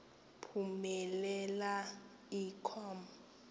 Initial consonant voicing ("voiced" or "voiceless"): voiceless